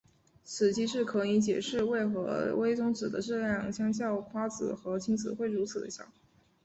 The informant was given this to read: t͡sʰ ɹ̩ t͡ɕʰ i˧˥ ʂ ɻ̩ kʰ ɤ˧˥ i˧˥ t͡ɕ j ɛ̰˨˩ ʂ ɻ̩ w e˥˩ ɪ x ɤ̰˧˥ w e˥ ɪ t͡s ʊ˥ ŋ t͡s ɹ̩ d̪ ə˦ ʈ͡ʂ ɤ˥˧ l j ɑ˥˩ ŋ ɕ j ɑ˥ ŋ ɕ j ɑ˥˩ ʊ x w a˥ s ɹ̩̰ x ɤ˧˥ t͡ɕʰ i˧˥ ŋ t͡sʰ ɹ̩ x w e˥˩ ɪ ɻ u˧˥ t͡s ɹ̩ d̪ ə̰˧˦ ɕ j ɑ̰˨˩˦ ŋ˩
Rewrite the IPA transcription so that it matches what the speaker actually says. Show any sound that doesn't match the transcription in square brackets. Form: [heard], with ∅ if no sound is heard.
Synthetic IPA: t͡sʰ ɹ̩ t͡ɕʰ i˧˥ ʂ ɻ̩ kʰ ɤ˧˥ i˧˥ t͡ɕ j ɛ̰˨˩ ʂ ɻ̩ w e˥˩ ɪ x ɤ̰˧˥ w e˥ ɪ t͡s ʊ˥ ŋ t͡s ɹ̩ d̪ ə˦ ʈ͡ʂ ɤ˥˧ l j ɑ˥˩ ŋ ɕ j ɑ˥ ŋ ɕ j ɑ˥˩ ʊ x w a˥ [t͡s] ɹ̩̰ x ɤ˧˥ t͡ɕʰ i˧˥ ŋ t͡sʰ ɹ̩ x w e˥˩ ɪ ɻ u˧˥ [t͡sʰ] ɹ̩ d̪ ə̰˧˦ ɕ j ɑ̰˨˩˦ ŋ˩